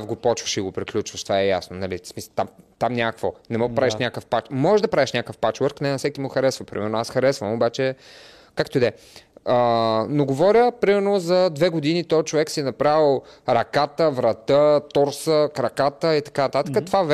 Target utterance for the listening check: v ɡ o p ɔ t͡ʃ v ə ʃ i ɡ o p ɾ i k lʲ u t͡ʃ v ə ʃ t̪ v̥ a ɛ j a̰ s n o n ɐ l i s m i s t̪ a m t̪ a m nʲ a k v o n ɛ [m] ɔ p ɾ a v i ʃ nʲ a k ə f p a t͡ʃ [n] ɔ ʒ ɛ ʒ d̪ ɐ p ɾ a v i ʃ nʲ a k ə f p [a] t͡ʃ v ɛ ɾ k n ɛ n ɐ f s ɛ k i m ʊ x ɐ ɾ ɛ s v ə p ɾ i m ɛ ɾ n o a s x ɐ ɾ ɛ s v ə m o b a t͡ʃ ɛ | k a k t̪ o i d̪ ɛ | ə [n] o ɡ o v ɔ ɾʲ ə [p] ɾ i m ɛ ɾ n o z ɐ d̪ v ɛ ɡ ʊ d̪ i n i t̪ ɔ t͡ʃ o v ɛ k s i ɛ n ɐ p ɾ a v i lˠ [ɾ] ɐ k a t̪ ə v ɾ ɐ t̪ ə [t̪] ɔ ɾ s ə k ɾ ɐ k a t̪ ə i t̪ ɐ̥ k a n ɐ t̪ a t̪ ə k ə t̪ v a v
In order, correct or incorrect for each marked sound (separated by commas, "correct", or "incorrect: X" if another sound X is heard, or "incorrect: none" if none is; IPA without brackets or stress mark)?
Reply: correct, incorrect: m, correct, correct, correct, correct, correct